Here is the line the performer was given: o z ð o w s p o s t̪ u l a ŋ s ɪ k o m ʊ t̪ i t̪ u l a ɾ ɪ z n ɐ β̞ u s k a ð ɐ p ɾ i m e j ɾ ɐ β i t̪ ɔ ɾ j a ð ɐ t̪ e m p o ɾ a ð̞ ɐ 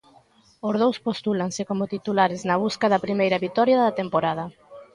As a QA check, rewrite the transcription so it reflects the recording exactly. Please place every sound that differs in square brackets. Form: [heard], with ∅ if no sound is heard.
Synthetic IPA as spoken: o z ð o w s p o s t̪ u l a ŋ s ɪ k o m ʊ t̪ i t̪ u l a ɾ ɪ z n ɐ β̞ u s k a ð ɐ p ɾ i m e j ɾ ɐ β i t̪ ɔ ɾ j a ð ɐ t̪ e m p o ɾ a ð̞ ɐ